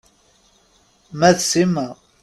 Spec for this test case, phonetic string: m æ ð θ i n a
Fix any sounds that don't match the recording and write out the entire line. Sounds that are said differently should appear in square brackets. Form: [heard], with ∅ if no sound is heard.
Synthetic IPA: m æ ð [s] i [m] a